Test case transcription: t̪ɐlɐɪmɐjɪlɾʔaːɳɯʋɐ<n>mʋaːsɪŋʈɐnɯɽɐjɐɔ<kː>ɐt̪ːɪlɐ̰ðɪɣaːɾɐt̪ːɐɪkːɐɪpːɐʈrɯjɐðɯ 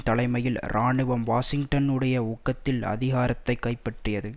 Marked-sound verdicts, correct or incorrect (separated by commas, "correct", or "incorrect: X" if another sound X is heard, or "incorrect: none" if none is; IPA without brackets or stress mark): incorrect: none, correct